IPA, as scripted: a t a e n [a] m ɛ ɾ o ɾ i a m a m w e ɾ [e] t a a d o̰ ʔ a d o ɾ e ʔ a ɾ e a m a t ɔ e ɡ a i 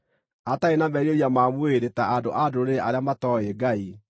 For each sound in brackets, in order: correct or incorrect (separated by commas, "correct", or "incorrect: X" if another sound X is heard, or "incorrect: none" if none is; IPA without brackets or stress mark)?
correct, correct